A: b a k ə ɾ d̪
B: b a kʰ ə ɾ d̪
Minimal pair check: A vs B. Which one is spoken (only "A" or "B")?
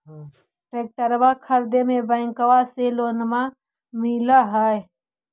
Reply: B